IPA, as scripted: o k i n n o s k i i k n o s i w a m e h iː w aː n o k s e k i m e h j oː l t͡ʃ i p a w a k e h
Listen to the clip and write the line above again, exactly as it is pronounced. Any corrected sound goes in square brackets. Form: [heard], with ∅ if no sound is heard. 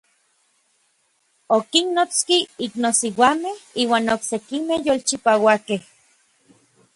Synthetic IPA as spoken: o k i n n o [t͡s] k i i k n o s i w a m e h iː w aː n o k s e k i m e h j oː l t͡ʃ i p a w a k e h